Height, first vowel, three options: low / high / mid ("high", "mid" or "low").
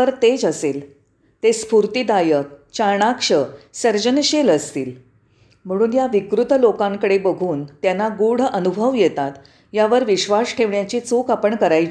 mid